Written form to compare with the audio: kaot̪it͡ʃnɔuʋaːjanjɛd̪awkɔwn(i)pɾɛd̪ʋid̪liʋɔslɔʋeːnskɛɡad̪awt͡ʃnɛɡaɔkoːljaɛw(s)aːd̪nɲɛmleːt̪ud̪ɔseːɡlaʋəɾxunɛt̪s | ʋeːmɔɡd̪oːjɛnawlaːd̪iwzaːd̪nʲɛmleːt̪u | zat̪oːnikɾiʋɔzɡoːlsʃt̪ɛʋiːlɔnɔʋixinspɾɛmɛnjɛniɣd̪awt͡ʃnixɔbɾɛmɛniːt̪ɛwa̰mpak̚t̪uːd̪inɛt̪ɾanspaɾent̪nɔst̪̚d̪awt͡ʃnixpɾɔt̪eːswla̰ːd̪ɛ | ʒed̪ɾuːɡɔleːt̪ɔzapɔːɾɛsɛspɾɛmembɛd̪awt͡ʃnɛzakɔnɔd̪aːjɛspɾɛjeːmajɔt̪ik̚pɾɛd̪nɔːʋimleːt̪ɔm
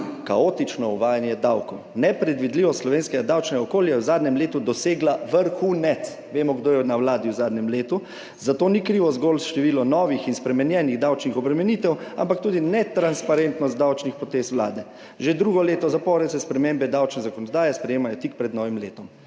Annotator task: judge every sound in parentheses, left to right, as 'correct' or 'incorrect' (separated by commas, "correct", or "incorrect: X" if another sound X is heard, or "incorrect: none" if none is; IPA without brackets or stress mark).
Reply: incorrect: ɛ, incorrect: z